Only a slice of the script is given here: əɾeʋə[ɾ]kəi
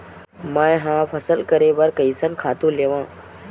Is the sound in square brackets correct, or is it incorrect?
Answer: correct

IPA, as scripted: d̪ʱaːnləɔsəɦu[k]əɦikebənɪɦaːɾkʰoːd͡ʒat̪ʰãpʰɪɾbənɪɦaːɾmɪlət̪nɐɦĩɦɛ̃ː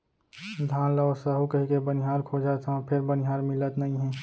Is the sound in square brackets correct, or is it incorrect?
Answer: correct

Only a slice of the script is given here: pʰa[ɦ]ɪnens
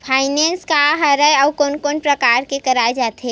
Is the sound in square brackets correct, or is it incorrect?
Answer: incorrect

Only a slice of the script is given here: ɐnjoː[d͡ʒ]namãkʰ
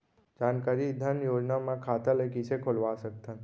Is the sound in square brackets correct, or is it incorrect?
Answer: correct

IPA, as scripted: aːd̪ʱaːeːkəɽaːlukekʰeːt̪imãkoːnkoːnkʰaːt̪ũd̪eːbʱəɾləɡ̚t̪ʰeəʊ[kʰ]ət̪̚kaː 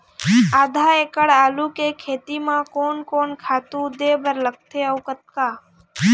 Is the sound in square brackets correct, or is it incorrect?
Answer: incorrect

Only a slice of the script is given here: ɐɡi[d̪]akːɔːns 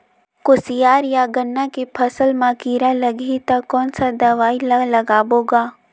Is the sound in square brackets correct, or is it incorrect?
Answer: incorrect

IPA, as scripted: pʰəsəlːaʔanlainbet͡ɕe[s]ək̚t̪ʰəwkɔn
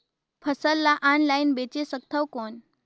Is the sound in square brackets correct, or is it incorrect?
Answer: correct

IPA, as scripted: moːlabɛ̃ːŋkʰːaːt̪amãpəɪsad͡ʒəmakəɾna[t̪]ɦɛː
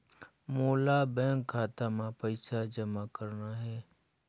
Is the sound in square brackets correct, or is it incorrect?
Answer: incorrect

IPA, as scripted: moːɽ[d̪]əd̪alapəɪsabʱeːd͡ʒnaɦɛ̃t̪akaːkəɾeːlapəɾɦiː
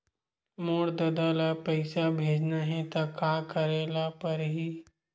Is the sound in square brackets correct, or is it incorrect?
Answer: correct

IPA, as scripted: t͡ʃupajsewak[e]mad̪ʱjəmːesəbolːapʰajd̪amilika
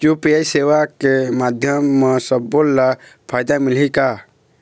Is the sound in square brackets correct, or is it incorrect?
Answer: correct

